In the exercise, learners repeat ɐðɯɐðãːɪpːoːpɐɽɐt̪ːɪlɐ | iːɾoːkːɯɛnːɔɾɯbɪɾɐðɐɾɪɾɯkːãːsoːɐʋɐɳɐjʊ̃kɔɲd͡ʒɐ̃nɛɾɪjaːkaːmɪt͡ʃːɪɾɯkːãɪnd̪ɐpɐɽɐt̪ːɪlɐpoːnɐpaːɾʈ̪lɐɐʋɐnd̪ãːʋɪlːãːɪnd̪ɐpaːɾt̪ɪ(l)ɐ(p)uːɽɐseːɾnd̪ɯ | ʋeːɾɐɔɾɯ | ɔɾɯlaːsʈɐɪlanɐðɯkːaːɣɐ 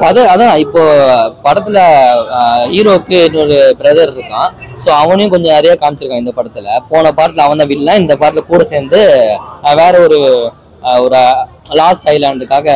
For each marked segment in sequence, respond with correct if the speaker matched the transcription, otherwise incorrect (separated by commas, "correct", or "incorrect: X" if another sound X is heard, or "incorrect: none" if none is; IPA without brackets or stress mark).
correct, incorrect: k